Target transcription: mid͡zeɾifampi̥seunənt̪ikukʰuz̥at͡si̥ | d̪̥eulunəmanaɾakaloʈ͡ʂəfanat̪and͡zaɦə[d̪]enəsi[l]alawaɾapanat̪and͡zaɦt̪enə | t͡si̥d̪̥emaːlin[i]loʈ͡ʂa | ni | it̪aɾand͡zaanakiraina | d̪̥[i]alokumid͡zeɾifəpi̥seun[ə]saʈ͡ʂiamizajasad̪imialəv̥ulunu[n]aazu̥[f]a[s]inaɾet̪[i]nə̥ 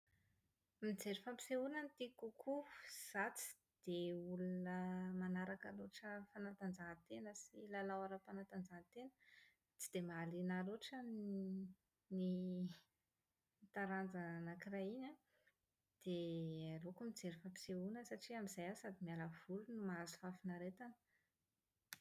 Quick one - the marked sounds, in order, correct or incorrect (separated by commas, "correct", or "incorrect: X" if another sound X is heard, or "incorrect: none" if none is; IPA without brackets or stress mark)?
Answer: incorrect: t̪, correct, incorrect: a, incorrect: e, correct, incorrect: m, correct, incorrect: f, incorrect: a